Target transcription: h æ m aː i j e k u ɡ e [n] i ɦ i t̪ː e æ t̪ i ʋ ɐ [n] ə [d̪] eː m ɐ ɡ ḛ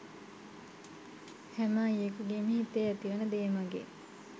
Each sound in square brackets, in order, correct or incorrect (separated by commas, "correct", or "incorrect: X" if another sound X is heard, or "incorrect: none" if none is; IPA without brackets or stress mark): incorrect: m, correct, correct